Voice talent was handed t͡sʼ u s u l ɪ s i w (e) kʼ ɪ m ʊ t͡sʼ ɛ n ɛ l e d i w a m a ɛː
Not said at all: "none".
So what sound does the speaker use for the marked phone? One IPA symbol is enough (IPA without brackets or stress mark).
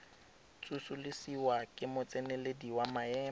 a